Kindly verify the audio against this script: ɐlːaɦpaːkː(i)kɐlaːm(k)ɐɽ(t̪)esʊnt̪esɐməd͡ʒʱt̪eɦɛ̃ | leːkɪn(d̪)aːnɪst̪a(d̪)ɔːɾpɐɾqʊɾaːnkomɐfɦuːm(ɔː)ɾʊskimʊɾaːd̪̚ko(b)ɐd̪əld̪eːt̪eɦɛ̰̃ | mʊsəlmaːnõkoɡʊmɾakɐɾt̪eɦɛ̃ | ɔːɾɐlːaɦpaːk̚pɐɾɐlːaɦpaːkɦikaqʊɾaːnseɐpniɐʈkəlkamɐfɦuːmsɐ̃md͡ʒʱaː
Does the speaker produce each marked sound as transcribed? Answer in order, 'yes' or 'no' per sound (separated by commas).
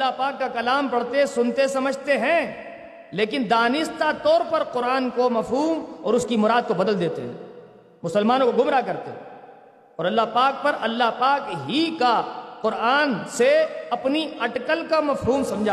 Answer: no, no, yes, yes, no, yes, yes